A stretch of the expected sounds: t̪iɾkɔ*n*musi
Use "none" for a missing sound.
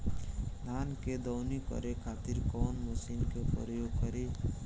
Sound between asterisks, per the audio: n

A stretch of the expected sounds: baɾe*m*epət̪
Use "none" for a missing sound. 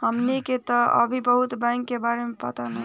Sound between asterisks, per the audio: m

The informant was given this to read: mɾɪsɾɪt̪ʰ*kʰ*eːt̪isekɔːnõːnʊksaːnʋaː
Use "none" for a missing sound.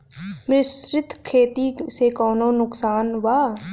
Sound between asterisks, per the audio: kʰ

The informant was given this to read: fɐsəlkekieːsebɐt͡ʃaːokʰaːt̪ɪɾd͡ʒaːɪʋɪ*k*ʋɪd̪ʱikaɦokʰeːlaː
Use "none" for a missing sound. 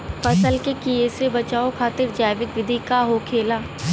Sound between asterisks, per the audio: k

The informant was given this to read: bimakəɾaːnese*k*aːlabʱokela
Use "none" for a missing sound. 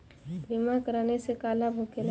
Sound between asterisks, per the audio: k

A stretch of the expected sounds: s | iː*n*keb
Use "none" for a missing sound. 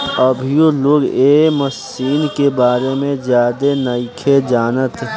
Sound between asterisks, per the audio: n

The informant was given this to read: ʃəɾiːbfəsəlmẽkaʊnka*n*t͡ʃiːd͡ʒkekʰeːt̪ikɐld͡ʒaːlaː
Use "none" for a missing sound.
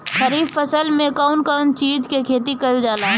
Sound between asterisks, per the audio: n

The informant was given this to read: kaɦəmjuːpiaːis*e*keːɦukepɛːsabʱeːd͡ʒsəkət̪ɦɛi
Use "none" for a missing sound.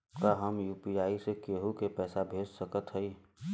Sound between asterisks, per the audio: e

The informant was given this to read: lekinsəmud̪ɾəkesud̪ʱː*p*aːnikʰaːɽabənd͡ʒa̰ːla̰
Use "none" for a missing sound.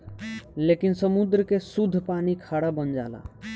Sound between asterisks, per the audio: p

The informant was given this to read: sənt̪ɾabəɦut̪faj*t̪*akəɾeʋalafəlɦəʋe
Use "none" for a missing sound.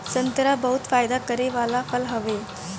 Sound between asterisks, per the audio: d̪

